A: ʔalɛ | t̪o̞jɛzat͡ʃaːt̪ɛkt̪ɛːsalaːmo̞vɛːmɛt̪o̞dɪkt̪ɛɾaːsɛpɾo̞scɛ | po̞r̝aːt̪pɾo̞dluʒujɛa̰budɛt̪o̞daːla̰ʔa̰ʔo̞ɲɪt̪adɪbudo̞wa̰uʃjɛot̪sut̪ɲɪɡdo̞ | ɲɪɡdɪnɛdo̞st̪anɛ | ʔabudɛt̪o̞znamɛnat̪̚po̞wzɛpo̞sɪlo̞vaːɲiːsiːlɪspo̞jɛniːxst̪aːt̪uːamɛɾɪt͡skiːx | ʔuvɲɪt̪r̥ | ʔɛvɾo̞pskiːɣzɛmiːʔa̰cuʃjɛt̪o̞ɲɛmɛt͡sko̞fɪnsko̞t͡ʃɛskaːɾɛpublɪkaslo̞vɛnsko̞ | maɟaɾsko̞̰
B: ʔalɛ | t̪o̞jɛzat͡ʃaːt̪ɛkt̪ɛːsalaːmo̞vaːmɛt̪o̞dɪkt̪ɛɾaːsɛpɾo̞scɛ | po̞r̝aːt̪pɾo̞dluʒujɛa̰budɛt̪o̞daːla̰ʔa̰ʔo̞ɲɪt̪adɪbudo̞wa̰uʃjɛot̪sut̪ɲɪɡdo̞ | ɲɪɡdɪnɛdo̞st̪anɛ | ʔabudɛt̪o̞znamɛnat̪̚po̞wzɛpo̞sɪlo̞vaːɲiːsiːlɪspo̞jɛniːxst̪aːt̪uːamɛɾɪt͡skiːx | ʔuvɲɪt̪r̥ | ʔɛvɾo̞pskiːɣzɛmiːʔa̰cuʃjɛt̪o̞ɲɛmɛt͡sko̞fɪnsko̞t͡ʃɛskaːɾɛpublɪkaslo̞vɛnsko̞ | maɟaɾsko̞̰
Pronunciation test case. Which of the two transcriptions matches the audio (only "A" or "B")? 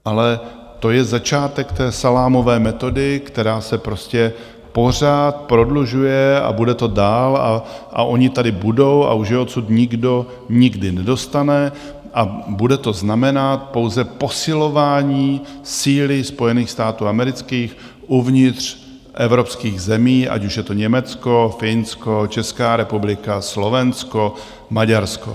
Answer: A